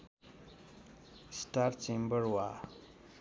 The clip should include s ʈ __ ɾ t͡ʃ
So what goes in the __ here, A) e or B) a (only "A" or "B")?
B